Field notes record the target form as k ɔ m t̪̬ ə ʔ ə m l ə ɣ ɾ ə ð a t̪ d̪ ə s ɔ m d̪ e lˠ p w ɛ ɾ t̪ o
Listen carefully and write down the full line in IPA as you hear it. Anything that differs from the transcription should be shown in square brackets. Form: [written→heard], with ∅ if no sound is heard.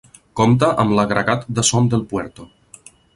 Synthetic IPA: k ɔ m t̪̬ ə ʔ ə m l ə ɣ ɾ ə [ð→ɣ] a t̪ d̪ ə s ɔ m d̪ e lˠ p w ɛ ɾ t̪ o